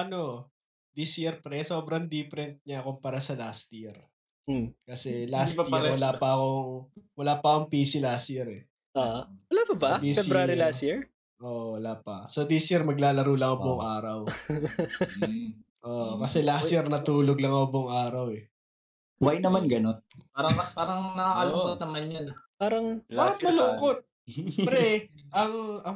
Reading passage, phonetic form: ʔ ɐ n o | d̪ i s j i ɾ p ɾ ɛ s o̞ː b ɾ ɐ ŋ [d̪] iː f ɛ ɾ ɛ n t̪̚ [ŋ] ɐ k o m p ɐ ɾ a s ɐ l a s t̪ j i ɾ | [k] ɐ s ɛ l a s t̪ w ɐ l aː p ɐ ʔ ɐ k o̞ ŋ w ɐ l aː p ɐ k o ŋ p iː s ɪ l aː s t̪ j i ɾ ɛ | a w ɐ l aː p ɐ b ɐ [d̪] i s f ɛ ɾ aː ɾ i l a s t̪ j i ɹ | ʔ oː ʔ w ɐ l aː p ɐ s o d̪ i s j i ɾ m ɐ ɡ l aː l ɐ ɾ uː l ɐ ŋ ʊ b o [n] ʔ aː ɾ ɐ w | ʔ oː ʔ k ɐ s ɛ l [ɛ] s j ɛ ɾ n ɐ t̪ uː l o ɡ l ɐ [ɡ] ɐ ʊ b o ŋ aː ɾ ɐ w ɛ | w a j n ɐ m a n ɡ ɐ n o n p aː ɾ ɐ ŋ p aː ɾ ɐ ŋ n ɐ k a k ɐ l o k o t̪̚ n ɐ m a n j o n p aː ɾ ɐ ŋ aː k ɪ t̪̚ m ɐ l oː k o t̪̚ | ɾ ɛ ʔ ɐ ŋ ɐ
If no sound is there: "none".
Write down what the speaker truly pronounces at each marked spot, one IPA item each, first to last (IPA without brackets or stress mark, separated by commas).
d̪, ɲ, k, d̪, ŋ, a, ŋ